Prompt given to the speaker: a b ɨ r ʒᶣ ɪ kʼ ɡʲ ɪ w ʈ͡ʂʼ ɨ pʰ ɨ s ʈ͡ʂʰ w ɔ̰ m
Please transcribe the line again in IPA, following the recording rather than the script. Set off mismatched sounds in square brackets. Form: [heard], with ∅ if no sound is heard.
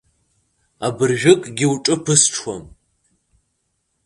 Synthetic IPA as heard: a b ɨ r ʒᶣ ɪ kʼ ɡʲ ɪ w ʈ͡ʂʼ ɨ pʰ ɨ s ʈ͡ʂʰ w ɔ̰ m